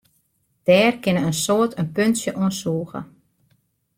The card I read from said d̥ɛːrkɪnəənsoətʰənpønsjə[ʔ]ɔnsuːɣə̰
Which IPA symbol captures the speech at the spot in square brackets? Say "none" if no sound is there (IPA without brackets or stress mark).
ʔ